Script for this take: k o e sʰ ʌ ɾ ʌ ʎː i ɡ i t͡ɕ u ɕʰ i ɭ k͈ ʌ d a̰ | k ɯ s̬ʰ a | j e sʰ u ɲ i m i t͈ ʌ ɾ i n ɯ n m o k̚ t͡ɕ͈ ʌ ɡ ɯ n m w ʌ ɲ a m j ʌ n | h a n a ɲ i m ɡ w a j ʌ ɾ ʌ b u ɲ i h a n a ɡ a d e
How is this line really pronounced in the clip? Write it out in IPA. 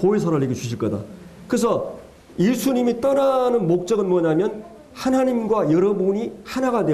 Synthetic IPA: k o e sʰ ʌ ɾ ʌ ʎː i ɡ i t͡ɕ u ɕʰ i ɭ k͈ ʌ d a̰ | k ɯ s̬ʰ ʌ | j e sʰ u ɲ i m i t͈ ʌ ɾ a n ɯ n m o k̚ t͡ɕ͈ ʌ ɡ ɯ n m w ʌ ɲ a m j ʌ n | h a n a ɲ i m ɡ w a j ʌ ɾ ʌ b u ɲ i h a n a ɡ a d e